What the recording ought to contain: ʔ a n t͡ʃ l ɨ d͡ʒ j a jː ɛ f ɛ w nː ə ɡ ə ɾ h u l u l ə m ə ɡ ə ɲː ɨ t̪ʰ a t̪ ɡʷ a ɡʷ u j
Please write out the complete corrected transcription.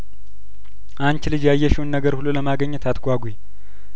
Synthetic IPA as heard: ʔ a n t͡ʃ l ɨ d͡ʒ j a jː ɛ ʃ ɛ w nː ə ɡ ə ɾ h u l u l ə m a ɡ ə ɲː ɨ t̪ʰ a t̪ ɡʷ a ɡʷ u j